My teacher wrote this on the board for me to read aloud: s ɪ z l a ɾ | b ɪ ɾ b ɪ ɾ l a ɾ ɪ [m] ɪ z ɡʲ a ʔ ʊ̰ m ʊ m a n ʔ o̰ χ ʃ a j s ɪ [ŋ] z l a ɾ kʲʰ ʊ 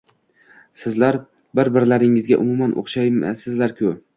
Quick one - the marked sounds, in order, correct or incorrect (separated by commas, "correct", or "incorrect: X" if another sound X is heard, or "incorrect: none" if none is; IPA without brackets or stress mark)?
incorrect: ŋ, incorrect: none